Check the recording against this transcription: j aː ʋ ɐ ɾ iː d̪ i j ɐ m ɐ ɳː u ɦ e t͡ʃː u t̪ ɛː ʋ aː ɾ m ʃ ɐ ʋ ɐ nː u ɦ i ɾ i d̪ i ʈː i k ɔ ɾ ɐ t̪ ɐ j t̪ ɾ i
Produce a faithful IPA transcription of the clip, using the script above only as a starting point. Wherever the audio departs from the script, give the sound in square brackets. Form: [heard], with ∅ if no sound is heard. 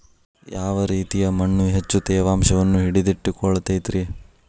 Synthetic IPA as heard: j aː ʋ ɐ ɾ iː [t̪] i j ɐ m ɐ ɳː u ɦ e t͡ʃː u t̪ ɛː ʋ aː [∅] m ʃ ɐ ʋ ɐ nː u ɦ i [ɽ] i d̪ i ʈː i k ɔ [ɭ] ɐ t̪ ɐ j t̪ ɾ i